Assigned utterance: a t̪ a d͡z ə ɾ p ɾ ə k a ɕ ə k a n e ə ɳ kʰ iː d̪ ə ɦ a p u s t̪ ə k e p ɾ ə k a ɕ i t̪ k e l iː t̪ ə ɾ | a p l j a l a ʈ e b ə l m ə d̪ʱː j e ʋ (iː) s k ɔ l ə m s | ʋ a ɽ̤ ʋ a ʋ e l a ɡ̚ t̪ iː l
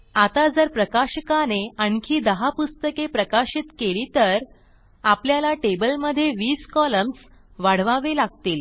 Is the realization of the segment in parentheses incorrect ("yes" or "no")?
no